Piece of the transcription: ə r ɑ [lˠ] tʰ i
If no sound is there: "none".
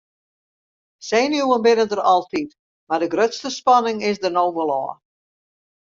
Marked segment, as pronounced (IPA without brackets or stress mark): lˠ